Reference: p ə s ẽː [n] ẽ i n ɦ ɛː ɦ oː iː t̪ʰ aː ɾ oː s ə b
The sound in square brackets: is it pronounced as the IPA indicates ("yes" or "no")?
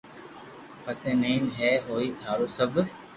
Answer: yes